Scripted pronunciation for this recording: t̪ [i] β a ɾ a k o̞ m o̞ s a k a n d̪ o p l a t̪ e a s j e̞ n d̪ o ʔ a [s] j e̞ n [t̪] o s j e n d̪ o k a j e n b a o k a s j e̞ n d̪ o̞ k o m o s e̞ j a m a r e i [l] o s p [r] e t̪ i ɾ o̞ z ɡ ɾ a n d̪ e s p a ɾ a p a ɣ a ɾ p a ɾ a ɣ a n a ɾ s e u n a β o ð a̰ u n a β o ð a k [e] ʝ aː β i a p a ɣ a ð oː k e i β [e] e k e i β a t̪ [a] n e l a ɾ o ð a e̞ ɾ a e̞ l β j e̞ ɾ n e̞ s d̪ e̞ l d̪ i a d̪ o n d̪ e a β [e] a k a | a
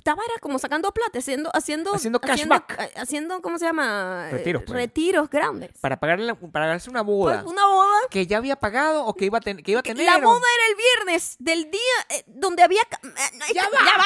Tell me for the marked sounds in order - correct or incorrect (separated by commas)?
incorrect, correct, incorrect, incorrect, correct, correct, incorrect, incorrect, incorrect